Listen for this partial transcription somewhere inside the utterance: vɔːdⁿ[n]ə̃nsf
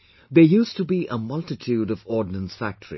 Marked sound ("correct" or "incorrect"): correct